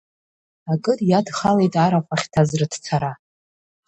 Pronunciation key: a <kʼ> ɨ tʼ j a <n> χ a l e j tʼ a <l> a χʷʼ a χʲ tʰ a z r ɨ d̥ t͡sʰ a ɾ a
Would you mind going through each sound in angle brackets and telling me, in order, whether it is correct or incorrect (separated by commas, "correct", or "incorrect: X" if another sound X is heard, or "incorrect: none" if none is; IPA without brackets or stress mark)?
correct, incorrect: d, incorrect: ɾ